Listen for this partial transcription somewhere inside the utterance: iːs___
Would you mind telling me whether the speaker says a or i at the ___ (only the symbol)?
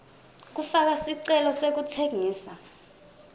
a